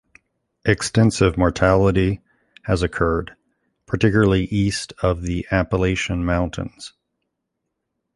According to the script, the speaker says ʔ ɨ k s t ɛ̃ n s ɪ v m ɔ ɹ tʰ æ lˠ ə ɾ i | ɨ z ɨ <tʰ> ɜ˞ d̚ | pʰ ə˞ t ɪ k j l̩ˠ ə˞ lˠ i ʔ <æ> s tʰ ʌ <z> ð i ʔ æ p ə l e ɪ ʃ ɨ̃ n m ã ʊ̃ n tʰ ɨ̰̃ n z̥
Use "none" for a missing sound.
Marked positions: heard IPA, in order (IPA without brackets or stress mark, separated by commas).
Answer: kʰ, i, v